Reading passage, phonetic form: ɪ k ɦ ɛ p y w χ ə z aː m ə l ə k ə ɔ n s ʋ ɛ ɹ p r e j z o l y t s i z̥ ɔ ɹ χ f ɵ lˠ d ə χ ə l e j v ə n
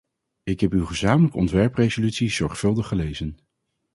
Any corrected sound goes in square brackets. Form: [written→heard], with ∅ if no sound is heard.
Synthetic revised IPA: ɪ k ɦ ɛ p y w χ ə z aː m ə l ə k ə ɔ n [s→t] ʋ ɛ ɹ p r e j z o l y t s i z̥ ɔ ɹ χ f ɵ lˠ d ə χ ə l e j [v→z] ə n